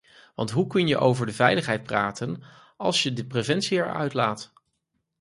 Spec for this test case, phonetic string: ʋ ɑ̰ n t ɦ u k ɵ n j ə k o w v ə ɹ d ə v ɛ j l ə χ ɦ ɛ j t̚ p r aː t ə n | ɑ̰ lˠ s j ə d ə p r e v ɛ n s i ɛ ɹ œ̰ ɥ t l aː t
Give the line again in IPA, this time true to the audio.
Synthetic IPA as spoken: ʋ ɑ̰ n t ɦ u k ɵ n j ə ʔ o w v ə ɹ d ə v ɛ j l ə χ ɦ ɛ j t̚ p r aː t ə n | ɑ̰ lˠ s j ə d ə p r e v ɛ n s i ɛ ɹ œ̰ ɥ t l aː t